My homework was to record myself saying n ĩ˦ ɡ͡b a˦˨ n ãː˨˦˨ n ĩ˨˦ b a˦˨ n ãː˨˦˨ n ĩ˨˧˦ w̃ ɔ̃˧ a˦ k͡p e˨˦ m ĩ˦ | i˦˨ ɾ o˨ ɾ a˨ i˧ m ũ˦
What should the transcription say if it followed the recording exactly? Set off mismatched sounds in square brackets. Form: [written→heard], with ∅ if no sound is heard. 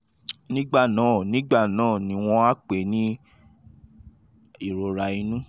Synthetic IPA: n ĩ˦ ɡ͡b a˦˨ n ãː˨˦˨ n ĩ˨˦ [b→ɡ͡b] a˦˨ n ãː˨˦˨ n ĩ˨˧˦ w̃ ɔ̃˧ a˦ k͡p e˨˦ [m→n] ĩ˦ | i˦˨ ɾ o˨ ɾ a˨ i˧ [m→n] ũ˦